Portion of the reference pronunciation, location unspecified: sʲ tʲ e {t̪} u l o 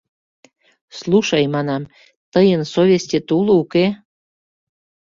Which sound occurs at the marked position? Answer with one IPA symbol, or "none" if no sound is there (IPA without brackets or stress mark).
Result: t̪